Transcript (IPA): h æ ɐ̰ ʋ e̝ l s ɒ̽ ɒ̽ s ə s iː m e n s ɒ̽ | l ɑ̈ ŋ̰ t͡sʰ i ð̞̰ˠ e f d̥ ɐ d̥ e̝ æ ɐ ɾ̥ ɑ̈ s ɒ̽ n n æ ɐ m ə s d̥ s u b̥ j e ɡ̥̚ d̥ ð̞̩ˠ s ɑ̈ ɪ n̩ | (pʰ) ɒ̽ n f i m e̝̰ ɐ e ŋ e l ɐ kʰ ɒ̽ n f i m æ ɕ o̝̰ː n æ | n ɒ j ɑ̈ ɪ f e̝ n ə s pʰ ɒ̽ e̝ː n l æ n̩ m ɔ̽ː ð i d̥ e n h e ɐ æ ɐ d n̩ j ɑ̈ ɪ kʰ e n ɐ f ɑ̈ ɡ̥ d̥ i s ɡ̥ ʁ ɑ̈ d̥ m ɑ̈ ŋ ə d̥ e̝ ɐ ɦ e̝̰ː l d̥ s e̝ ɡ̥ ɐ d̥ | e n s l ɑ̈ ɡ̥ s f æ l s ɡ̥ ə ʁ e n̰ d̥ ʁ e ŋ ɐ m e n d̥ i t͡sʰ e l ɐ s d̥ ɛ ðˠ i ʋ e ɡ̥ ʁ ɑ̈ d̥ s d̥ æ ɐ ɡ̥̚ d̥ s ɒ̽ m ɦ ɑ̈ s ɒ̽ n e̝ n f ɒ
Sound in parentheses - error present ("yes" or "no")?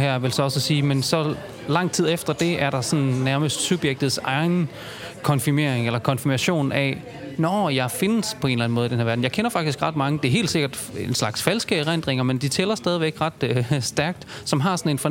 yes